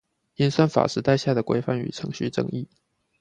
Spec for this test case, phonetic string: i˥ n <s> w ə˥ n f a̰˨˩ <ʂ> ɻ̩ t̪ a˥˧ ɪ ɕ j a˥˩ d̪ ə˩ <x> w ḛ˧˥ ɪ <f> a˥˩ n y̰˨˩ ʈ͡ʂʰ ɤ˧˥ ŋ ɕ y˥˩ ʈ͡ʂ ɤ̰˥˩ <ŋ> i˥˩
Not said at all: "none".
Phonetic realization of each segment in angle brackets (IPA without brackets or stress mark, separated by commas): s, ʂ, k, f, ŋ